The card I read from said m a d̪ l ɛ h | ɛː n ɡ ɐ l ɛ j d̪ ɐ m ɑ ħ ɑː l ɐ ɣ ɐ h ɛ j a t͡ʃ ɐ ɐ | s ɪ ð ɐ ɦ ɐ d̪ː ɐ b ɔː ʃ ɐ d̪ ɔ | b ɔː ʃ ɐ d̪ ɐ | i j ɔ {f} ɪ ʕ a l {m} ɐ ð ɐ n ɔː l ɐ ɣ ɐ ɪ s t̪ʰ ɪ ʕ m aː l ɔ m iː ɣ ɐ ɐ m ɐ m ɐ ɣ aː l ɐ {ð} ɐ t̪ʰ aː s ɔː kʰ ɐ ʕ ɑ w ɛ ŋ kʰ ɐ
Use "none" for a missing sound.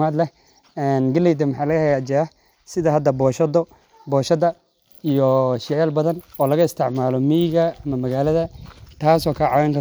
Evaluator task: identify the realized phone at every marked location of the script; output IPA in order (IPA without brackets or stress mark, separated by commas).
ʃ, b, ð